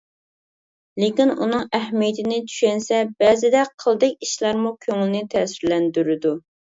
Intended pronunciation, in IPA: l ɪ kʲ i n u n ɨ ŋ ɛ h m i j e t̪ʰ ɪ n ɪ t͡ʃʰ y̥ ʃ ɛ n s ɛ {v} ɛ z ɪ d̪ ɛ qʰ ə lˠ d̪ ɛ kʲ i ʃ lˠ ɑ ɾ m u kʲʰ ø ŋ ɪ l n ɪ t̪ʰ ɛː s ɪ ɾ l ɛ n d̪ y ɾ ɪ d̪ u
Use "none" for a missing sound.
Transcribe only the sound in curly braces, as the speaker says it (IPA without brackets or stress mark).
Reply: b